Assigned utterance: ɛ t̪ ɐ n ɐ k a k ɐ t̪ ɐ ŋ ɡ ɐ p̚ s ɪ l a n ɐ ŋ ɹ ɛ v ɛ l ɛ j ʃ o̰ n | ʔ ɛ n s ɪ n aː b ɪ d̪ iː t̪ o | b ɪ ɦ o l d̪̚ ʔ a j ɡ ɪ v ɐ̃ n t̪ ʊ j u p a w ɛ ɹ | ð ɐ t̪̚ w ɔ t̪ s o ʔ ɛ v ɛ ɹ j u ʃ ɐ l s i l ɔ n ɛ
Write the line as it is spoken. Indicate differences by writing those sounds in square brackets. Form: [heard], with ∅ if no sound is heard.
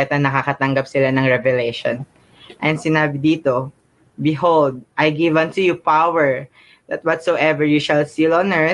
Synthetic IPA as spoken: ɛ t̪ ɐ n ɐ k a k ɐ t̪ ɐ ŋ ɡ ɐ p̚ s ɪ l a n ɐ ŋ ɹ ɛ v ɛ l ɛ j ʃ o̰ n | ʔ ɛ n s ɪ n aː b ɪ d̪ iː t̪ o | b ɪ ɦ o l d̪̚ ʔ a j ɡ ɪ v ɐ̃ n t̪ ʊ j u p a w ɛ ɹ | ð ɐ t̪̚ w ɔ t̪ s o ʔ ɛ v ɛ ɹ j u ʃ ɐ l s i l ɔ n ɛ